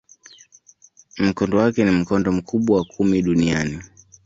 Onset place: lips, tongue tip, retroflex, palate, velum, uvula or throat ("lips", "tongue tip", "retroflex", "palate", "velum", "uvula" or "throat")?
lips